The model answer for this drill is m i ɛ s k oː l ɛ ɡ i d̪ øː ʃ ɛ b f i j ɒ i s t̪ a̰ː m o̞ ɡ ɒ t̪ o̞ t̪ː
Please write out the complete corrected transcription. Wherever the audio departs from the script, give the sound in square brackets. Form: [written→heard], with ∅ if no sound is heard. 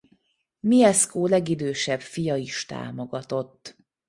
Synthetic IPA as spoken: m i ɛ s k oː l ɛ ɡ i d̪ øː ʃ ɛ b f i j ɒ i [s→ʃ] t̪ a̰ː m o̞ ɡ ɒ t̪ o̞ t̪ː